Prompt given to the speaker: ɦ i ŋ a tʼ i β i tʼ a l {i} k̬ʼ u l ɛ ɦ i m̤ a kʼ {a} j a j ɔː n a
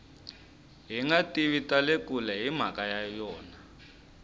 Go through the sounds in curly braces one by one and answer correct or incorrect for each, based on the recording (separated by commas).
incorrect, correct